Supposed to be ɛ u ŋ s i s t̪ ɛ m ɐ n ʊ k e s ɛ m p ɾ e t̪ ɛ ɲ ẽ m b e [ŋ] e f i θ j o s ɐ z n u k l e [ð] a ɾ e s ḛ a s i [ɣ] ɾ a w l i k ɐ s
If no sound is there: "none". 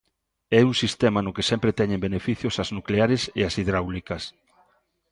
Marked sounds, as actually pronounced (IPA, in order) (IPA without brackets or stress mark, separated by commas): n, none, ð